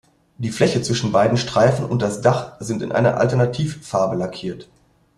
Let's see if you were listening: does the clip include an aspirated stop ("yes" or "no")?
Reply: yes